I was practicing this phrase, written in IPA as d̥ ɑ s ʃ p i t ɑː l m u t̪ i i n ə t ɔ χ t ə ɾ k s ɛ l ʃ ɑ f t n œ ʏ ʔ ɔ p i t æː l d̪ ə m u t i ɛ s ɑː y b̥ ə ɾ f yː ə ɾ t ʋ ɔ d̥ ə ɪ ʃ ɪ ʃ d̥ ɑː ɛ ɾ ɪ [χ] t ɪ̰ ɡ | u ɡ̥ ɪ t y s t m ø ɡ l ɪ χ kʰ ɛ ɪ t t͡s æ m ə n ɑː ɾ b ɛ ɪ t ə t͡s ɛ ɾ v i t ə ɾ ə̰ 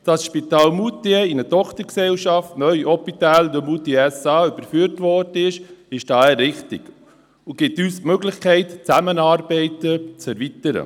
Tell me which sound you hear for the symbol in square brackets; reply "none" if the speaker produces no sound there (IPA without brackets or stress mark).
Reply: χ